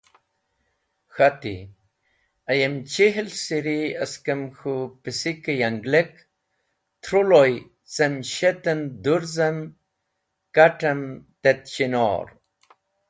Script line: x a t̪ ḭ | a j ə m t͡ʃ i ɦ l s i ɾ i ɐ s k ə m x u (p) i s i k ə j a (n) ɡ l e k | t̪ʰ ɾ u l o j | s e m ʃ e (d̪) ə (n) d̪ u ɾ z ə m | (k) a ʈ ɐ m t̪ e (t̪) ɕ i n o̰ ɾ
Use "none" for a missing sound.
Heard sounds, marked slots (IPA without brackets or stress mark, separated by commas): p, ŋ, t̪, n, k, t̪